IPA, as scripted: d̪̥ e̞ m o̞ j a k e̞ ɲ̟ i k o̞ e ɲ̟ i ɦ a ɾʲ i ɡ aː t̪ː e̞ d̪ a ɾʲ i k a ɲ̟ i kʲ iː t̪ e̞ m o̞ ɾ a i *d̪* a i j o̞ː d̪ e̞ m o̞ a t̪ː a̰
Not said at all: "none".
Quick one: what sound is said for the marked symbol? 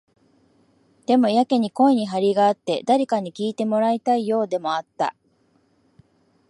t̪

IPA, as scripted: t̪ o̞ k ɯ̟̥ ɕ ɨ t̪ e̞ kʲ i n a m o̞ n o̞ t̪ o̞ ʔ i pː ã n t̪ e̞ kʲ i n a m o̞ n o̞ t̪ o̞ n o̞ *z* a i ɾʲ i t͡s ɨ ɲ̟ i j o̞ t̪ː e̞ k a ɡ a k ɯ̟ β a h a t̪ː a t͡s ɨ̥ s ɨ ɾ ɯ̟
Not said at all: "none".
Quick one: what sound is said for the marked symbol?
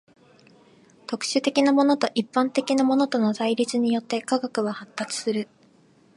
z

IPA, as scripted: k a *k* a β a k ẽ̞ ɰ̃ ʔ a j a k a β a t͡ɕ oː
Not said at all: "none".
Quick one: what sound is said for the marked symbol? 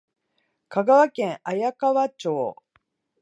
ɡ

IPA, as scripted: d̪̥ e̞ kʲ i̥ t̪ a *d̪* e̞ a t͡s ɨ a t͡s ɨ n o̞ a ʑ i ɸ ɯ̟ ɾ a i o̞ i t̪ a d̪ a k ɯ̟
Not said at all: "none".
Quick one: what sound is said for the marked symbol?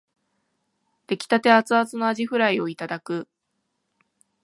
t̪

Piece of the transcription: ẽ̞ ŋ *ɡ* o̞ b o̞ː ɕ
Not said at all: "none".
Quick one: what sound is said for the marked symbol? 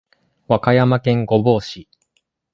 ɡ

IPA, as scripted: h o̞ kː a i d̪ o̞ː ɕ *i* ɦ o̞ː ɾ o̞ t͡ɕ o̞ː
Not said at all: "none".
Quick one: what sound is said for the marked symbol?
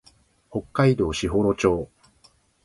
i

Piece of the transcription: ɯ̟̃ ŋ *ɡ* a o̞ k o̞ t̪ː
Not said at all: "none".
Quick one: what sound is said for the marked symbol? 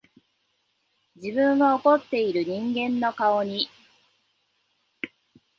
ɡ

